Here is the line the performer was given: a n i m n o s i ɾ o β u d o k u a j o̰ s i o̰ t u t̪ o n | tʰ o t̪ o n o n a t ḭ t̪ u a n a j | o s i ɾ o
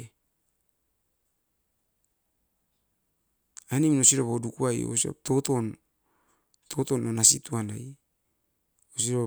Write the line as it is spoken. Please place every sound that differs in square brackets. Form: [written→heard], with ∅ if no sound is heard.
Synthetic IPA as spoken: a n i m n o s i ɾ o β [u→o] d [o→u] k u a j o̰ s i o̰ t [u→o] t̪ o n | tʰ o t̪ o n o n a [t→s] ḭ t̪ u a n a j | o s i ɾ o